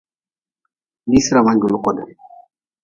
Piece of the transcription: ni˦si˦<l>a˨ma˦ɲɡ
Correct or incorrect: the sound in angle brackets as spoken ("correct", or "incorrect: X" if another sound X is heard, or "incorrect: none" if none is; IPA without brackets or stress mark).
incorrect: ɾ